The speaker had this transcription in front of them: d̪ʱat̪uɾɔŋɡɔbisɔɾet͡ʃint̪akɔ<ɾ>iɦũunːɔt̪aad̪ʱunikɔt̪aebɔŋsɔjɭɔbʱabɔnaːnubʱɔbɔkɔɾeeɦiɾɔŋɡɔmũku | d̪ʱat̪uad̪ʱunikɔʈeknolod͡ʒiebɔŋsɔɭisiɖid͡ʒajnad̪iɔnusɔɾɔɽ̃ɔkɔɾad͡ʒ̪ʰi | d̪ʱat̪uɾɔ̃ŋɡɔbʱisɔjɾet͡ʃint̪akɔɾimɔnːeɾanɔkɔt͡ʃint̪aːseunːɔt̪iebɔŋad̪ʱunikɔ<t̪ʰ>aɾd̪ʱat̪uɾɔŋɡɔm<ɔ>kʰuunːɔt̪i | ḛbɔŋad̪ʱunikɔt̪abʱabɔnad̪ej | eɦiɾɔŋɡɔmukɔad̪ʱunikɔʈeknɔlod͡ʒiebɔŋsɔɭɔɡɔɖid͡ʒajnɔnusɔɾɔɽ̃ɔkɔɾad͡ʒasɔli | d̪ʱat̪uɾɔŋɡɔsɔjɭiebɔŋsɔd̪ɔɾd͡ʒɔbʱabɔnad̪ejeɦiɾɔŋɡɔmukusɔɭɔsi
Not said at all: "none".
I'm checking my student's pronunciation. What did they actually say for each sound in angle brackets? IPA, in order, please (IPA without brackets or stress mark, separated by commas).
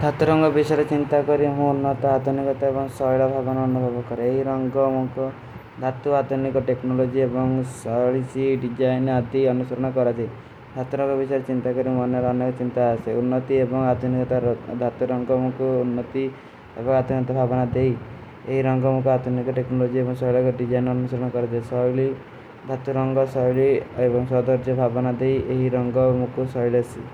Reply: ɾ, t̪, u